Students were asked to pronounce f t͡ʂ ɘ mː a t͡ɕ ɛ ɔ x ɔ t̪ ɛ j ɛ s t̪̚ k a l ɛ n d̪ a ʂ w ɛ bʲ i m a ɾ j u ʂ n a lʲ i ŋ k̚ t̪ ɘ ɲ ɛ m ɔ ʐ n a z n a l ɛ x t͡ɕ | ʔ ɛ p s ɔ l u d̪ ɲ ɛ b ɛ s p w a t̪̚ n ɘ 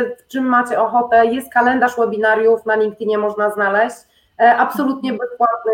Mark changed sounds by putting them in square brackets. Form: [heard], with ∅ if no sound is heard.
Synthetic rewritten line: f t͡ʂ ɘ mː a t͡ɕ ɛ ɔ x ɔ t̪ ɛ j ɛ s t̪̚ k a l ɛ n d̪ a ʂ w ɛ bʲ i [n] a ɾ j u [f] n a lʲ i ŋ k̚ t̪ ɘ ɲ ɛ m ɔ ʐ n a z n a l ɛ [ɕ] t͡ɕ | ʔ [a] p s ɔ l u [t̪] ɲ ɛ b ɛ s p w a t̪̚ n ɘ